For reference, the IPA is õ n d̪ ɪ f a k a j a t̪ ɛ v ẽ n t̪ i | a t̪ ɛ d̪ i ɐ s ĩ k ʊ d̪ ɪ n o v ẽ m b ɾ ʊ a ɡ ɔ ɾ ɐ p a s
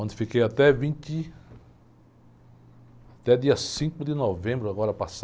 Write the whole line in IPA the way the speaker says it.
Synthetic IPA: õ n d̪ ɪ f i k e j a t̪ ɛ v ĩ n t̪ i | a t̪ ɛ d̪ i ɐ s ĩ k ʊ d̪ ɪ n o v ẽ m b ɾ ʊ a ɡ ɔ ɾ ɐ p a s